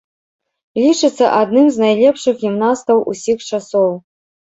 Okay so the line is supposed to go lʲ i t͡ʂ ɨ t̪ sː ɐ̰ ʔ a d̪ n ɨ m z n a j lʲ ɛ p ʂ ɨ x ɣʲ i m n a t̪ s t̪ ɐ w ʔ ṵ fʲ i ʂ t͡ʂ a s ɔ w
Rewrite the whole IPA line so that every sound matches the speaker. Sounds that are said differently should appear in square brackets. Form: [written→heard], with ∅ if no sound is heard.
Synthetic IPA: lʲ i t͡ʂ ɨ t̪ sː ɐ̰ ʔ a d̪ n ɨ m z n a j lʲ ɛ p ʂ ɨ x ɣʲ i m n a [t̪→∅] s t̪ ɐ w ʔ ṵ [fʲ→sʲ] i [ʂ→x] t͡ʂ a s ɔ w